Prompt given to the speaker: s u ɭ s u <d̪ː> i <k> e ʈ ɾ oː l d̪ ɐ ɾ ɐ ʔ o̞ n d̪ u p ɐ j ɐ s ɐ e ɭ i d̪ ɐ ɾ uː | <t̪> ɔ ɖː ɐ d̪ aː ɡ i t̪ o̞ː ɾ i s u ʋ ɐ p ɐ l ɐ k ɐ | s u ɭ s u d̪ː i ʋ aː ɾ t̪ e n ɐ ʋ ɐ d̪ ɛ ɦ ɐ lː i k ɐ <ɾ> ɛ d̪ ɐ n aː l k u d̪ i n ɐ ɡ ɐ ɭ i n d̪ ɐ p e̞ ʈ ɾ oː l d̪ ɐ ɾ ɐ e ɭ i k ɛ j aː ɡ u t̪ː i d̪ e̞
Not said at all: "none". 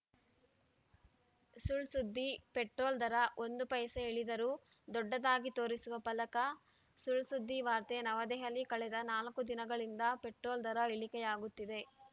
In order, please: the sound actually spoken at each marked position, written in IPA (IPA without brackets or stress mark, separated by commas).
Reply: d̪ː, p, d̪, ɭ